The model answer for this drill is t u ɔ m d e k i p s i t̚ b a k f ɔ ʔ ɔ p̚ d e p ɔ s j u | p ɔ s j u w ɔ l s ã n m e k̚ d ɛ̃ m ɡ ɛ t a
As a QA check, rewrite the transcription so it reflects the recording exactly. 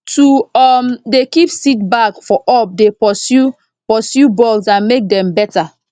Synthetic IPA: t u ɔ m d e k i p s i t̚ b a k f ɔ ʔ ɔ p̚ d e p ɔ s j u | p ɔ s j u b ɔ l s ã n m e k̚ d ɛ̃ m b ɛ t a